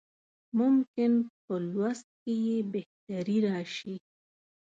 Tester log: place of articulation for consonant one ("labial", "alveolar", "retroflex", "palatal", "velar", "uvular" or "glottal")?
labial